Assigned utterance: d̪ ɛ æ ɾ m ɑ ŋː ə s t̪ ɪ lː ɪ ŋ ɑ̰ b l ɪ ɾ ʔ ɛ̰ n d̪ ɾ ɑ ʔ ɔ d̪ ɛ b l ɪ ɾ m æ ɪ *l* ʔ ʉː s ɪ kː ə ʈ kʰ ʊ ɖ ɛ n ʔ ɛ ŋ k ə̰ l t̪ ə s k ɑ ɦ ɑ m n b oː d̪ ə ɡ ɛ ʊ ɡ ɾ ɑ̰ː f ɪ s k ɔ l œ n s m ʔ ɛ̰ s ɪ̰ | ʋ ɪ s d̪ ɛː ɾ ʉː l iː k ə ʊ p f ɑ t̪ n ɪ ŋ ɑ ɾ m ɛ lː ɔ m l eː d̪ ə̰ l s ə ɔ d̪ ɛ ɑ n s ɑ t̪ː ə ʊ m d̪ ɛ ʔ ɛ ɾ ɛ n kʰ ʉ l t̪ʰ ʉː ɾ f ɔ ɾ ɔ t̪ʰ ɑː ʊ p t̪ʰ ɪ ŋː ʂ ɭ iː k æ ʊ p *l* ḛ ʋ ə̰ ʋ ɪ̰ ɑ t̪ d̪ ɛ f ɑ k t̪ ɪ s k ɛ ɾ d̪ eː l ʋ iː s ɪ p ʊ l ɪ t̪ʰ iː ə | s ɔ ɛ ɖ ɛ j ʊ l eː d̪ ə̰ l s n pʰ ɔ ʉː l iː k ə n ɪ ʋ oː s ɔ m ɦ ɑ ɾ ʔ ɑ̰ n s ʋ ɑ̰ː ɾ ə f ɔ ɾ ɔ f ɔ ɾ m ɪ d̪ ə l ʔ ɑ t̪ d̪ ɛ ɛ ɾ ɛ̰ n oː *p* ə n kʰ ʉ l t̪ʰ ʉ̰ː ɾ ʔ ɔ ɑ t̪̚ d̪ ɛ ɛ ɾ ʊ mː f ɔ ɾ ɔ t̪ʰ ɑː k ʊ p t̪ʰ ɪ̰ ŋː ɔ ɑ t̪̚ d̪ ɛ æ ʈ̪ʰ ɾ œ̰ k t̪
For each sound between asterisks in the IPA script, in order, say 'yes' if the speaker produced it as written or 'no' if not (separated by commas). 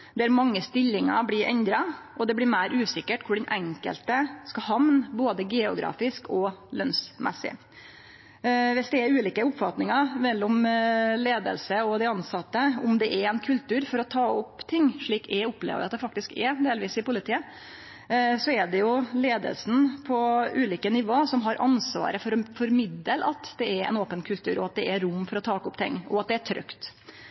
no, yes, yes